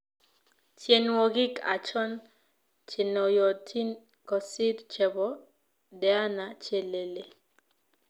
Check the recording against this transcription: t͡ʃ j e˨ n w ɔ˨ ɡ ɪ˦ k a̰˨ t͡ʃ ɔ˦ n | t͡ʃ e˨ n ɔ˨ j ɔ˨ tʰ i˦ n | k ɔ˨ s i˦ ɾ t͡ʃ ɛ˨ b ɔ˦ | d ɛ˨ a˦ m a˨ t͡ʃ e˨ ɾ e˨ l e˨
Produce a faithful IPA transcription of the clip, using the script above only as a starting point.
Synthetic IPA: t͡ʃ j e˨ n w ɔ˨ ɡ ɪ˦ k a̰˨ t͡ʃ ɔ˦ n | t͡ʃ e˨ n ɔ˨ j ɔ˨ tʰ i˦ n | k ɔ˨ s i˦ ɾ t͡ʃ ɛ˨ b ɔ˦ | d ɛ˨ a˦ n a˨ t͡ʃ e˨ l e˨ l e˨